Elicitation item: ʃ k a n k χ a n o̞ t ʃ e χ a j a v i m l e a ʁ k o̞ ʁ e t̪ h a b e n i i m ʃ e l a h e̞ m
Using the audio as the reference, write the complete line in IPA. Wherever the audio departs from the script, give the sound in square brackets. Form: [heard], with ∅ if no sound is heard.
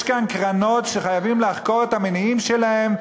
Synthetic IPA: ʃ k a n k [ʁ] a n o̞ t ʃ e χ a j a v i m l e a [χ] k o̞ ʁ e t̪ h a [m] e n i i m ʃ e l a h e̞ m

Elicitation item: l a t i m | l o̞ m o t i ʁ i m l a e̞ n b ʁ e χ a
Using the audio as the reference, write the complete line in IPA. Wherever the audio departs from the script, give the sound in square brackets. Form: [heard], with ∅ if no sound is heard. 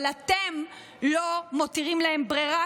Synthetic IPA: l a t [e] m | l o̞ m o t i ʁ i m l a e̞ [m] b ʁ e [ʁ] a

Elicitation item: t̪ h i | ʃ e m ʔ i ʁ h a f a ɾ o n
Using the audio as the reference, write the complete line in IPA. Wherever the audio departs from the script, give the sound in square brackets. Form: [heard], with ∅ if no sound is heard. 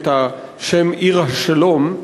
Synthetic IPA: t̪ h [a] | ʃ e m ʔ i ʁ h a [ʃ] a [l] o [m]

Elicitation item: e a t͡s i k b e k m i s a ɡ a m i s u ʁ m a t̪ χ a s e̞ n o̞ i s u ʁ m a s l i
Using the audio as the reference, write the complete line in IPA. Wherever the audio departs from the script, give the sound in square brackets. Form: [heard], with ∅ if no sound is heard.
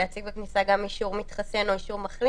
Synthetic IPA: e a t͡s i [ɡ] b e k [n] i s a ɡ a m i [ʃ] u ʁ m [i] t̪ χ a s e̞ n o̞ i [ʃ] u ʁ m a [χ] l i

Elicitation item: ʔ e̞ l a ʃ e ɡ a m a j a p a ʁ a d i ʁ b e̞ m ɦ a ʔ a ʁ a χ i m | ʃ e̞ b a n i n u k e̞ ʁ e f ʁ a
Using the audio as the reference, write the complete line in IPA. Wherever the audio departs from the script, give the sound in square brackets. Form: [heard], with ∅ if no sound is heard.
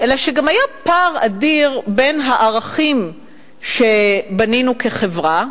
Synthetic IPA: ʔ e̞ l a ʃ e ɡ a m a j a p a ʁ a d i ʁ b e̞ [n] ɦ a ʔ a ʁ a χ i m | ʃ e̞ b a n i n u k e̞ [χ] e [v] ʁ a

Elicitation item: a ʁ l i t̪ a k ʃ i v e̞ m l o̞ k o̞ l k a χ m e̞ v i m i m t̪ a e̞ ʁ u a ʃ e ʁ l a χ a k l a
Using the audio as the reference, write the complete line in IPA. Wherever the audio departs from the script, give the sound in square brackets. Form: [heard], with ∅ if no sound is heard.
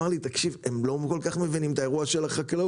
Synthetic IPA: a ʁ l i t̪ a k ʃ i v e̞ m l o̞ k o̞ l k a χ m e̞ v i [n] i m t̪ a e̞ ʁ u a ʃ e [∅] l a χ a k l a

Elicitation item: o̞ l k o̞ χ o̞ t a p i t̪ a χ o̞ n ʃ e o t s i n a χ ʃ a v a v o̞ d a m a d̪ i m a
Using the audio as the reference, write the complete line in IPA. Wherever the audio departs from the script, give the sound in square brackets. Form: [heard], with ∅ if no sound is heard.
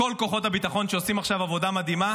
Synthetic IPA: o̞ l k o̞ χ o̞ t a [b] i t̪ a χ o̞ n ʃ e o [∅] s i [m] a χ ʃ a v a v o̞ d a m a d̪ i m a

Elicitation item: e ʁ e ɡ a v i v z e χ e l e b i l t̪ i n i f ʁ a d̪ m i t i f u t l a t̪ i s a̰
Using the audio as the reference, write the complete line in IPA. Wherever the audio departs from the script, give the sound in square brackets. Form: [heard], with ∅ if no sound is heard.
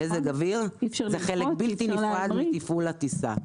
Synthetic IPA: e [z] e ɡ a v i [ʁ] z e χ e l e b i l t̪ i n i f ʁ a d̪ m i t i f u [∅] l a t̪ i s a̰

